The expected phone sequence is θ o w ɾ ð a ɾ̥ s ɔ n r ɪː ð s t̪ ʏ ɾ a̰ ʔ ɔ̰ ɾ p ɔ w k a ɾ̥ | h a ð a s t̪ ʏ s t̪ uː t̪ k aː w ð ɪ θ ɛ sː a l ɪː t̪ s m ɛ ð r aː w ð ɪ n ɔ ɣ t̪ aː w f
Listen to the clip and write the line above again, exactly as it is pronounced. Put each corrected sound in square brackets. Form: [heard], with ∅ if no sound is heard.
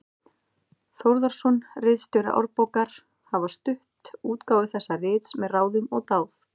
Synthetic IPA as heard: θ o w ɾ ð a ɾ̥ s ɔ n r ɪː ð s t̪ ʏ ɾ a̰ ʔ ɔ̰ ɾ p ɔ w k a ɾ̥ | h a [v] a s t̪ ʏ [h] t̪ uː t̪ k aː w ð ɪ θ ɛ sː a [r] ɪː t̪ s m ɛ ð r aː w ð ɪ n ɔ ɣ t̪ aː w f